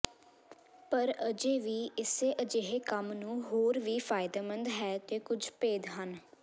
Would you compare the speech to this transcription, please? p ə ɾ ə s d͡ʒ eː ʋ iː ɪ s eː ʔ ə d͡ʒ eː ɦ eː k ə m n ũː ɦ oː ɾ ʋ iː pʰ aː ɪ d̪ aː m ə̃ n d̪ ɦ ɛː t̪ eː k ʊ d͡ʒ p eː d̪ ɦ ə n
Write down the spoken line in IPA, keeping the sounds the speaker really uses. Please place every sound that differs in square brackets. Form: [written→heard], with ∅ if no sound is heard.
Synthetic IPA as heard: p ə ɾ ə [s→∅] d͡ʒ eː ʋ iː ɪ s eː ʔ ə d͡ʒ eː ɦ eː k ə m n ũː ɦ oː ɾ ʋ iː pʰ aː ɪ d̪ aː m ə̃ n d̪ ɦ ɛː t̪ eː k ʊ d͡ʒ p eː d̪ ɦ ə n